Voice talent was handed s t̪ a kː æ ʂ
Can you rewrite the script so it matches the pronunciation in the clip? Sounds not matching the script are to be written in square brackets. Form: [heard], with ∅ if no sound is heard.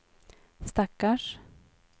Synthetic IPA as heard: s t̪ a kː [a] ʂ